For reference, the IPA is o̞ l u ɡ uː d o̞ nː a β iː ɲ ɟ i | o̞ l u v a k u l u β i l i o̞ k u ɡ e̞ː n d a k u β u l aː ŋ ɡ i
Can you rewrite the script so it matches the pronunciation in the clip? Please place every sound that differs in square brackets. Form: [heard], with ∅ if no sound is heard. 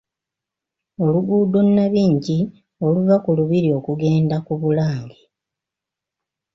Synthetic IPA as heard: o̞ l u ɡ uː d o̞ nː a β iː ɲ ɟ i | o̞ l u v a k u l u β i [ɾ] i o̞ k u ɡ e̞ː n d a k u β u l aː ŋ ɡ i